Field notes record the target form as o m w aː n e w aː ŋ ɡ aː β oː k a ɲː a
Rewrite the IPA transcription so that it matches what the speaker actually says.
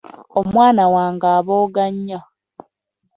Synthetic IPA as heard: o m w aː n a w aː ŋ ɡ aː β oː ɡ a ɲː a